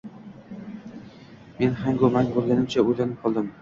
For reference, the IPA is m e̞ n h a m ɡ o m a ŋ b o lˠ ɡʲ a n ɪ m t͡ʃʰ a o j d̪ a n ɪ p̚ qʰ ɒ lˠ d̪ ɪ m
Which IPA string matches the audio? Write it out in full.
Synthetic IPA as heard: m e̞ n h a ŋ ɡ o m a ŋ b o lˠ ɡʲ a n ɪ m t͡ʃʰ a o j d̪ a n ɪ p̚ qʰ ɒ lˠ d̪ ɪ m